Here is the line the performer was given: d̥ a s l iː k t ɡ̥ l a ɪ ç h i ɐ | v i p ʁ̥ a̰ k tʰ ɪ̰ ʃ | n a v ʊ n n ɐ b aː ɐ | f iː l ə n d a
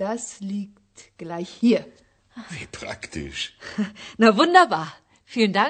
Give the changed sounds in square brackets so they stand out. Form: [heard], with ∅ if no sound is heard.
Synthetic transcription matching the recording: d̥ a s l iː k t ɡ̥ l a ɪ ç h [iː] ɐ | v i p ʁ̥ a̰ k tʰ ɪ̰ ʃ | n a v ʊ n [d] ɐ b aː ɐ | f iː l ə n d a